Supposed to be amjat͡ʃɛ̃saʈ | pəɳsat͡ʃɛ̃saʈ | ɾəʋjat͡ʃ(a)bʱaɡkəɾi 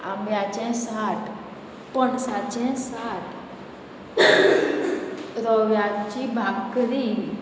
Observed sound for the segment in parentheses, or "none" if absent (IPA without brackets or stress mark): i